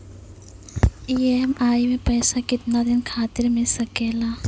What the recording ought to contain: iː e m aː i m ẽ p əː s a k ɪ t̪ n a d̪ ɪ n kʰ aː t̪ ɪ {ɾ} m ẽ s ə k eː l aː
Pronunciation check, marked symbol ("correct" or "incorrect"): correct